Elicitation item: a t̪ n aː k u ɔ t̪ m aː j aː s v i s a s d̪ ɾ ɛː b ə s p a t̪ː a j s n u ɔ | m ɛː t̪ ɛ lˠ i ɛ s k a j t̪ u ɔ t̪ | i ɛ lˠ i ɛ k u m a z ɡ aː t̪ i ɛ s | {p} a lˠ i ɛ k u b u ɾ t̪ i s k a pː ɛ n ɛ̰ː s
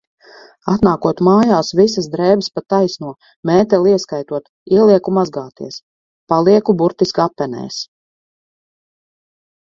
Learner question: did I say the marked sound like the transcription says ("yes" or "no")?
yes